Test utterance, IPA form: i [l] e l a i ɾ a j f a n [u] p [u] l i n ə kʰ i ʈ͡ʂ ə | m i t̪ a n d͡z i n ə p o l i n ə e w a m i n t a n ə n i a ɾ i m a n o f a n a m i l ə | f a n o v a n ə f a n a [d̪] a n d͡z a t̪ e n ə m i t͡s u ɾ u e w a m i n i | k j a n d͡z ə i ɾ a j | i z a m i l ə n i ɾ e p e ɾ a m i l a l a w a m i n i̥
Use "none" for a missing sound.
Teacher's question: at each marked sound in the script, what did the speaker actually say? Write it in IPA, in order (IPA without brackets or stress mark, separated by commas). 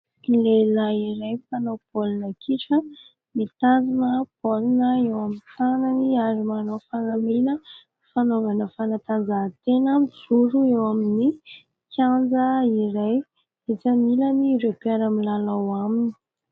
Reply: l, o, o, t̪